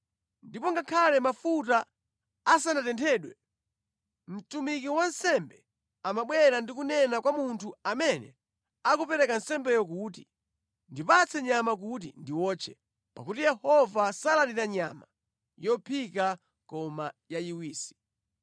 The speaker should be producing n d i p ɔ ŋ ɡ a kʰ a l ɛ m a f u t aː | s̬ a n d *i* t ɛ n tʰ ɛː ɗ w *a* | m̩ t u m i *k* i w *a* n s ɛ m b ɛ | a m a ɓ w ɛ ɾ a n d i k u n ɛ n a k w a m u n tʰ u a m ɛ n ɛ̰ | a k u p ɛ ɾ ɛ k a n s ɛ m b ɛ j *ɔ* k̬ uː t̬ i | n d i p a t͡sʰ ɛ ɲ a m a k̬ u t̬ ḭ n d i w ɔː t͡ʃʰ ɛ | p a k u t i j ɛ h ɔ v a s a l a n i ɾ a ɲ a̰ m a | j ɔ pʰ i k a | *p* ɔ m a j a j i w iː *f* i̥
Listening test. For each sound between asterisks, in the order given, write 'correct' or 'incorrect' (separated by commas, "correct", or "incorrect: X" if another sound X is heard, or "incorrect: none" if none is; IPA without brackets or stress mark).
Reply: incorrect: a, incorrect: ɛ, correct, correct, correct, incorrect: k, incorrect: s